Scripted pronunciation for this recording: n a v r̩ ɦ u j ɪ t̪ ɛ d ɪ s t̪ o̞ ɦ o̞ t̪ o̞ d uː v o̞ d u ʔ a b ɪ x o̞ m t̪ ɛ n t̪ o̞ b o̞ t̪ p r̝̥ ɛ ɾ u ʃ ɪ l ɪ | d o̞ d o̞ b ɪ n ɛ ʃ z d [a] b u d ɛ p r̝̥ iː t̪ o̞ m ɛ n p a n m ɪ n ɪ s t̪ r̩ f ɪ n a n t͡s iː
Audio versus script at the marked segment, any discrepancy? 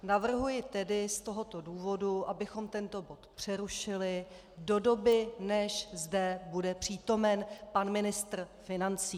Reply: yes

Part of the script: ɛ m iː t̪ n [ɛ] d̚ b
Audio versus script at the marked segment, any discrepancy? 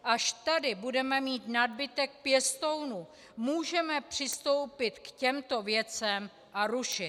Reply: yes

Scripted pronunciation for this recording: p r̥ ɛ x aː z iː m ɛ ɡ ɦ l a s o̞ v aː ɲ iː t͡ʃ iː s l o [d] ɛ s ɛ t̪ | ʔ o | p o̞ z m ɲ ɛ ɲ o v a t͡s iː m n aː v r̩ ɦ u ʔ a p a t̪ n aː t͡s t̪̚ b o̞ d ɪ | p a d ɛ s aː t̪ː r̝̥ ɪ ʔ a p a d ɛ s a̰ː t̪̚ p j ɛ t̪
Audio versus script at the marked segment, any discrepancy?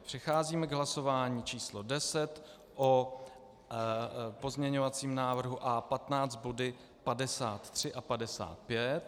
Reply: no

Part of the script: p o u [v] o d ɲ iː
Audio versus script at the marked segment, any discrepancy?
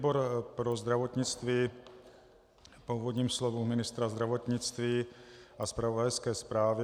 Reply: no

